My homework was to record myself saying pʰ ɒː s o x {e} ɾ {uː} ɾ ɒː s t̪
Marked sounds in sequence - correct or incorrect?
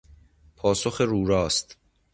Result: correct, correct

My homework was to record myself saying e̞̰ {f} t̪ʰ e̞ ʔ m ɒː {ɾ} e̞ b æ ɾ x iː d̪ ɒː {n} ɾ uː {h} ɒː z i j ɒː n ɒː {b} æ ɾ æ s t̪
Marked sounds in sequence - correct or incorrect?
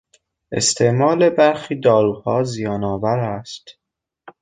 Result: incorrect, incorrect, incorrect, correct, incorrect

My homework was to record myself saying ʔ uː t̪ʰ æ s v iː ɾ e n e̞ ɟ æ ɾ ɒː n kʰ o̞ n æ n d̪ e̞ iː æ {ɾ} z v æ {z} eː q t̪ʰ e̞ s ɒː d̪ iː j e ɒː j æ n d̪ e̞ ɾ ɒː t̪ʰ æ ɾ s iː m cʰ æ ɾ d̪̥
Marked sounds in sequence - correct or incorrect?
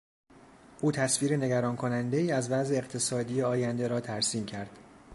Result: incorrect, correct

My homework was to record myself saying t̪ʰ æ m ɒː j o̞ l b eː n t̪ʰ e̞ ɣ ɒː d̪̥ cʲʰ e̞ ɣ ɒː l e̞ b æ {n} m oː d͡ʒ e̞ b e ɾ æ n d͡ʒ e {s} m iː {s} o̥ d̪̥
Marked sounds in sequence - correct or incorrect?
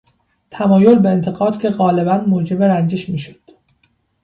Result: correct, incorrect, incorrect

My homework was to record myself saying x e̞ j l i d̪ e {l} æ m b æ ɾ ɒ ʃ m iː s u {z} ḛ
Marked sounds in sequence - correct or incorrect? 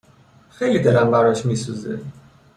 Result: correct, correct

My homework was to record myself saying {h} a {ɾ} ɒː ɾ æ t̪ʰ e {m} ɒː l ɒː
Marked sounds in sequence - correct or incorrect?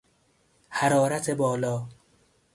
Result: correct, correct, incorrect

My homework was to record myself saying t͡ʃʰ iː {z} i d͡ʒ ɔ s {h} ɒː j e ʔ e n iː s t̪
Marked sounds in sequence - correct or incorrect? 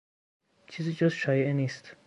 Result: correct, incorrect

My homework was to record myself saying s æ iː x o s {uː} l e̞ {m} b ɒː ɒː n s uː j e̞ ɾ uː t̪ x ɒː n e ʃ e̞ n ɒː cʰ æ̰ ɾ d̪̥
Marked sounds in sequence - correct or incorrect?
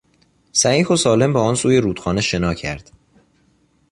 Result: incorrect, correct

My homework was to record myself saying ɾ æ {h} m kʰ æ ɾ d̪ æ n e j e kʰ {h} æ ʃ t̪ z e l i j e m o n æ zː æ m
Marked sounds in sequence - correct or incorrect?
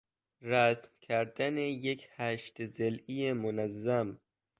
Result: incorrect, correct

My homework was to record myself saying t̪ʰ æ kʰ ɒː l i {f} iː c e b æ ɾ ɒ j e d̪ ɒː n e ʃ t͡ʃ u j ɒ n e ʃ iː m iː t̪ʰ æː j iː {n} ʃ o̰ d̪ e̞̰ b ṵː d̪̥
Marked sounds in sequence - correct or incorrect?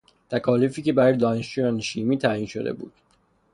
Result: correct, correct

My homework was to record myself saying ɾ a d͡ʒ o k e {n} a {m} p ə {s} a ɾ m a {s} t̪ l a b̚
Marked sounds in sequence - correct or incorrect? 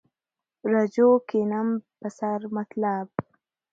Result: correct, correct, correct, incorrect

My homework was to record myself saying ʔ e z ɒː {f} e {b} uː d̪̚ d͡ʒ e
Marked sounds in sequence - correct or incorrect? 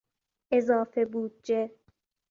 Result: correct, correct

